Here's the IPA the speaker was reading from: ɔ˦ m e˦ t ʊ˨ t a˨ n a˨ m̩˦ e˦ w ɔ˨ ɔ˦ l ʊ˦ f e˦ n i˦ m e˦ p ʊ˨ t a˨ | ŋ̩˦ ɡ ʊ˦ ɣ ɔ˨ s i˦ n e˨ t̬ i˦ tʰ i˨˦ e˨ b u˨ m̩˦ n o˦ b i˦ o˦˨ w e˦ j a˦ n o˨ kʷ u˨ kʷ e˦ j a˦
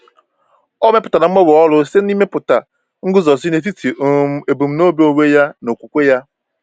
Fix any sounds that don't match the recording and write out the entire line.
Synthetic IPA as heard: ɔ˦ m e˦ p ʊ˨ t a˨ n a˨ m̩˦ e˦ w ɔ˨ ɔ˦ l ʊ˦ s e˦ n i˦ m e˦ p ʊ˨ t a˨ | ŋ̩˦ ɡ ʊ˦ z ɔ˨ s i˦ n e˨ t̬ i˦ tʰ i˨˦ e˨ b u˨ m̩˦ n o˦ b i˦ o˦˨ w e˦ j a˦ n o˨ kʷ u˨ kʷ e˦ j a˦

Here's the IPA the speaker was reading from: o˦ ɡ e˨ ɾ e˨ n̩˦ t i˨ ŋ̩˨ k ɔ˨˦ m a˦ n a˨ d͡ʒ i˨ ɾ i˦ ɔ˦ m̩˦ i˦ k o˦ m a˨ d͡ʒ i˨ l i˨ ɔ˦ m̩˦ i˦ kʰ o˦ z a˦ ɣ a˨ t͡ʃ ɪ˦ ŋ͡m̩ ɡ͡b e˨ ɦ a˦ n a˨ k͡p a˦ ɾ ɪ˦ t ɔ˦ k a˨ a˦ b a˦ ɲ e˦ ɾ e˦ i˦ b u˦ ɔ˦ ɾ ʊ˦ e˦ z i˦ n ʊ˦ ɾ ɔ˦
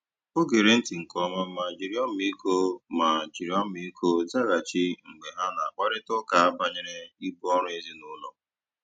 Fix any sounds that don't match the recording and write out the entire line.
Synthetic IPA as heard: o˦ ɡ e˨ ɾ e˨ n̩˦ t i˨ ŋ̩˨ k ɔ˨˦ m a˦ m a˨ d͡ʒ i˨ ɾ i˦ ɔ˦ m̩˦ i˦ k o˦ m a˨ d͡ʒ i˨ ɾ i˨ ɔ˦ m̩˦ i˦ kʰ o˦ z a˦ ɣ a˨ t͡ʃ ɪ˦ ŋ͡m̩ ɡ͡b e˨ ɦ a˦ n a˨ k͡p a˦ ɾ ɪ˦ t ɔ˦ k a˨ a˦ b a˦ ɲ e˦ ɾ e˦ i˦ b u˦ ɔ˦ ɾ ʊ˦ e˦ z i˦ n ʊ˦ l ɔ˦

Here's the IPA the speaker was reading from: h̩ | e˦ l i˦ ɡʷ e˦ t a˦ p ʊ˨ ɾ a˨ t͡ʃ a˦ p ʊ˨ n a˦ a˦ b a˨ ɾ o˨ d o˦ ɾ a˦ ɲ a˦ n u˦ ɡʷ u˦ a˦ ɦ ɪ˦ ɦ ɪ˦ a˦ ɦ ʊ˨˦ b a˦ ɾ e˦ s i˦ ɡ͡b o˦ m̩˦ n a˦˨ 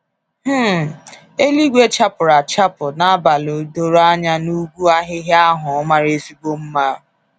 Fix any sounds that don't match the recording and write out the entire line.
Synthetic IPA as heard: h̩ | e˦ l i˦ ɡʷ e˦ t͡ʃ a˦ p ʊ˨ ɾ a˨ t͡ʃ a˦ p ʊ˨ n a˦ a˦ b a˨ l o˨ d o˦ ɾ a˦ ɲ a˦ n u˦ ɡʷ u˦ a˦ ɦ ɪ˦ ɦ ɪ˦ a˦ ɦ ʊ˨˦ m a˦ ɾ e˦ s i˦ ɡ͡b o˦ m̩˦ m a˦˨

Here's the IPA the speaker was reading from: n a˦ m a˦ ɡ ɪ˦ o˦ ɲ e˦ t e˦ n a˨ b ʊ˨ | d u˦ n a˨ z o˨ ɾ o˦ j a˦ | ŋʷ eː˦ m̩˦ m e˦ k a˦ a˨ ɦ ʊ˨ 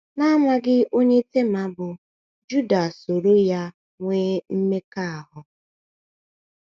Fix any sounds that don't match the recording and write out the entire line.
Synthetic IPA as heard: n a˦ m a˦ ɡ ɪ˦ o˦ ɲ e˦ t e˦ m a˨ b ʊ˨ | d͡ʒ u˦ d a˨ s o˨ ɾ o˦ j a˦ | ŋʷ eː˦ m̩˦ m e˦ k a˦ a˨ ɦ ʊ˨

